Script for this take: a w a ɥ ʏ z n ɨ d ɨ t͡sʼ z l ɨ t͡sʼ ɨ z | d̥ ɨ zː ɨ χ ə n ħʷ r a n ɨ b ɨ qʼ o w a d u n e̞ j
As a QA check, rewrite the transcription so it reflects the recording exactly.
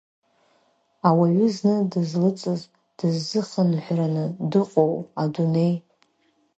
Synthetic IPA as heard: a w a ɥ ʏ z n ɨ d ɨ z l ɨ t͡sʼ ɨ z | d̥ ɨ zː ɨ χ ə n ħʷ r a n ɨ d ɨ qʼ o w a d u n e̞ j